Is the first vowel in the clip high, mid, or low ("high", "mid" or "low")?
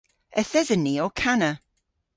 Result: mid